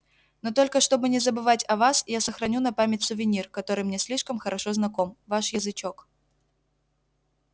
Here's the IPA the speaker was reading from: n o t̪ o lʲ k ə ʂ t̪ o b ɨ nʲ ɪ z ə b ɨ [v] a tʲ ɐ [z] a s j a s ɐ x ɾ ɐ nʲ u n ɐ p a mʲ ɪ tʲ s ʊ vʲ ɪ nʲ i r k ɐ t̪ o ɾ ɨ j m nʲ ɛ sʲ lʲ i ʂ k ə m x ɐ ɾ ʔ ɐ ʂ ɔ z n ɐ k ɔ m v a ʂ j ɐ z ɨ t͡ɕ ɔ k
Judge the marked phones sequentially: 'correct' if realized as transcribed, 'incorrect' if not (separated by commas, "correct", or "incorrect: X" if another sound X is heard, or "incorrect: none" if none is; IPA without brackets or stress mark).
correct, incorrect: v